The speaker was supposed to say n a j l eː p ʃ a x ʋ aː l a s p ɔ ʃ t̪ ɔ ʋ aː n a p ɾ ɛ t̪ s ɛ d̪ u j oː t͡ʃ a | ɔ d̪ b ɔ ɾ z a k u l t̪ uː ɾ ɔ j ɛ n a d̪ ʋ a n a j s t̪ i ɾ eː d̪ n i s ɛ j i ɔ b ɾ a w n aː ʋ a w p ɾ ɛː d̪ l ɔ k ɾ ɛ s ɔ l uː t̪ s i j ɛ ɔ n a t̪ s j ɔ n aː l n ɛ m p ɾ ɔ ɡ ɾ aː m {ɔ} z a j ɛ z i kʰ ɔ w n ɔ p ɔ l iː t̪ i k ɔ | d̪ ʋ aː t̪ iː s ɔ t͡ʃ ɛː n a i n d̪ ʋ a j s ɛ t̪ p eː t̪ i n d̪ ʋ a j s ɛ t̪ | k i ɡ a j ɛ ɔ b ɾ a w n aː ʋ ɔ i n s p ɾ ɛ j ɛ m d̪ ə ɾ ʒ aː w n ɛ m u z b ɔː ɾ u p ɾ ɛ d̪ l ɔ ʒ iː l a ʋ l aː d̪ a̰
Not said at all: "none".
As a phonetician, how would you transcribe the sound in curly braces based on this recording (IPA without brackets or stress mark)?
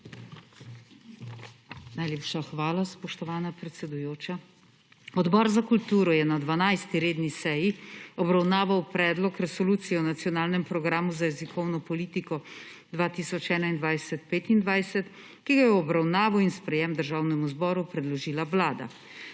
u